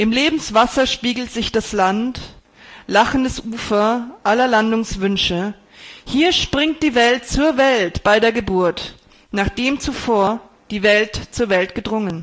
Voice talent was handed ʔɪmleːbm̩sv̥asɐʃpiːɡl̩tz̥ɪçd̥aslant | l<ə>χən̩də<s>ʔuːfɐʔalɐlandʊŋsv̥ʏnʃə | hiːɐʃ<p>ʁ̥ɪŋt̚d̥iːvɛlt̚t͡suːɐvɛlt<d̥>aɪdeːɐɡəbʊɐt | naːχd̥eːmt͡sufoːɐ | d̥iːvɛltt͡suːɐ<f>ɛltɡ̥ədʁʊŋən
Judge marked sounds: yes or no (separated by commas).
no, yes, yes, no, no